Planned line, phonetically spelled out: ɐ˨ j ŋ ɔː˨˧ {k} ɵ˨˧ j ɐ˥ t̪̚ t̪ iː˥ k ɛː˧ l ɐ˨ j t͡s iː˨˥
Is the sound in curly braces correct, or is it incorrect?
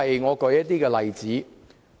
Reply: correct